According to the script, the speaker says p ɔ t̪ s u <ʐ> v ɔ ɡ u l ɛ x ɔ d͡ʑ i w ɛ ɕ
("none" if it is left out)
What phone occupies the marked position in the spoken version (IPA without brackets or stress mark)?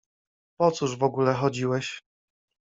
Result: ʐ